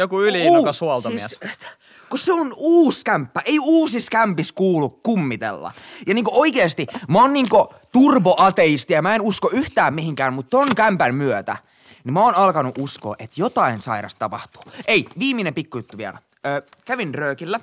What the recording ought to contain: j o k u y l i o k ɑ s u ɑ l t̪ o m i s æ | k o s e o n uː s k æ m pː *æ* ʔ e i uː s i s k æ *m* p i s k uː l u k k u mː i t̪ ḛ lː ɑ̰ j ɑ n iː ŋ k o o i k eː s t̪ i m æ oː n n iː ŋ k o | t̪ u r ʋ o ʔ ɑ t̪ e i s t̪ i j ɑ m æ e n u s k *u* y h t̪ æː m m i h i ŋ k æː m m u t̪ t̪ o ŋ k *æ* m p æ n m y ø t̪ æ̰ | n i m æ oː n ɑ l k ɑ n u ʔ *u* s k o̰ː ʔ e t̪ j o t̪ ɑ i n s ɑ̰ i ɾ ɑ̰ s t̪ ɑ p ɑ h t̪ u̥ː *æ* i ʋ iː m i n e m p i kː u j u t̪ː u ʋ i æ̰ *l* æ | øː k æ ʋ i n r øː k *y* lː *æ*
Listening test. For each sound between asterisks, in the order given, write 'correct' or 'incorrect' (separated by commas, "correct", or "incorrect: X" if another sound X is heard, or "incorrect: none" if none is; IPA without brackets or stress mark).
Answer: correct, correct, incorrect: o, correct, correct, incorrect: e, correct, incorrect: i, correct